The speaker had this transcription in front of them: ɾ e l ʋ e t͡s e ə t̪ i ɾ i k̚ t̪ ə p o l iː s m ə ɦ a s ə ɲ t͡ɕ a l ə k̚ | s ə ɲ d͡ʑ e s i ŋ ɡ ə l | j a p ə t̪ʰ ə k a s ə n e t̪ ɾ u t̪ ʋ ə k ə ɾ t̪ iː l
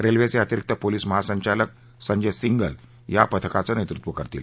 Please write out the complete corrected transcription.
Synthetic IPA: ɾ e l ʋ e t͡s e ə t̪ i ɾ i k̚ t̪ ə p o l iː s m ə ɦ a s ə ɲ t͡ɕ a l ə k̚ | s ə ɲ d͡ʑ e s i ŋ ɡ ə l | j a p ə t̪ʰ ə k a t͡s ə n e t̪ ɾ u t̪ ʋ ə k ə ɾ t̪ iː l